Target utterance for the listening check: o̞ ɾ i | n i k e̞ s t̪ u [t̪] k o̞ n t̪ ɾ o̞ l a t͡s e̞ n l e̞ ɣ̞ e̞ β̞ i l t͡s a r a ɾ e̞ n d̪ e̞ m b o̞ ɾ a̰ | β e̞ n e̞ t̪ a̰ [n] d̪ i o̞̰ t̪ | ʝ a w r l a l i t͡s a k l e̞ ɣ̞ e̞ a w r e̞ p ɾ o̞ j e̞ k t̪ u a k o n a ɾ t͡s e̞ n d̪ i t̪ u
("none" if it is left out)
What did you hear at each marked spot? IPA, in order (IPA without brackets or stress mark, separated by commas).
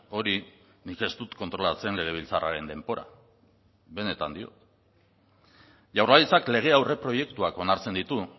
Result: t̪, n